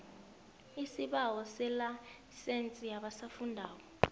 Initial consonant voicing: voiceless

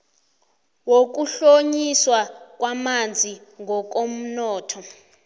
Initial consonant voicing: voiced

